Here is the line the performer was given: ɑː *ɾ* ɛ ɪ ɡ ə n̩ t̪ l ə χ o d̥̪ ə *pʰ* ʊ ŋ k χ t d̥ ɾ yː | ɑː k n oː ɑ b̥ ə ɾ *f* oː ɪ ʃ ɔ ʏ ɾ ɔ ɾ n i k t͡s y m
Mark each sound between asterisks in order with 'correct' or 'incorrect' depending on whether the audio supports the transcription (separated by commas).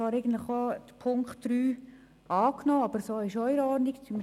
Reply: correct, correct, incorrect